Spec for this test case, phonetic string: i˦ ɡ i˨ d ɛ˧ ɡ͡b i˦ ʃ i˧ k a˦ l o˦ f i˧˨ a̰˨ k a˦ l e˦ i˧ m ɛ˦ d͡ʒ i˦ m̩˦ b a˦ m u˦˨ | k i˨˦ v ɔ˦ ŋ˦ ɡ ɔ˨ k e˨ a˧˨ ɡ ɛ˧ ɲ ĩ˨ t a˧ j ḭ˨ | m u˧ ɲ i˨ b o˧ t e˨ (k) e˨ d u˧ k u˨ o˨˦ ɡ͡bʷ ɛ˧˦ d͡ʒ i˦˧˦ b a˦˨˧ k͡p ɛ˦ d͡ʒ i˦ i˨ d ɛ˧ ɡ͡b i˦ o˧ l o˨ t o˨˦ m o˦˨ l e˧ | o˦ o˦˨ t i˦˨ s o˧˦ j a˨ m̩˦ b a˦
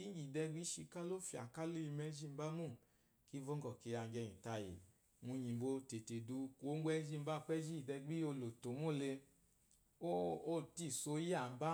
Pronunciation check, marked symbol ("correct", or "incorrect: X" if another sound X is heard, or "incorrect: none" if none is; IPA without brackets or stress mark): incorrect: t